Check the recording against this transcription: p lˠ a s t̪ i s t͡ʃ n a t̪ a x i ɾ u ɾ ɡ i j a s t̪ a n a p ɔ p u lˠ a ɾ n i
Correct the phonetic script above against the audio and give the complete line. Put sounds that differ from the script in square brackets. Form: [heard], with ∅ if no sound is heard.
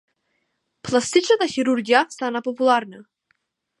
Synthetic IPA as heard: p lˠ a s t̪ i [∅] t͡ʃ n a t̪ a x i ɾ u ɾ ɡ i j a s t̪ a n a p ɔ p u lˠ a ɾ n [a]